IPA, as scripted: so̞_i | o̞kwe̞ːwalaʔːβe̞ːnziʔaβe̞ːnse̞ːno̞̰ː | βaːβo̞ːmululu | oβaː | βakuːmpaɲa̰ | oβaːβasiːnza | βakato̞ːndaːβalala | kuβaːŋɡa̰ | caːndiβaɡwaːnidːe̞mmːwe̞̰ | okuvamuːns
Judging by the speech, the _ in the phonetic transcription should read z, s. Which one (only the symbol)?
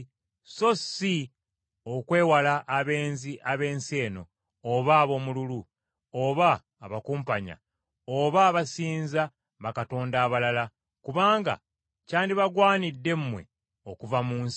s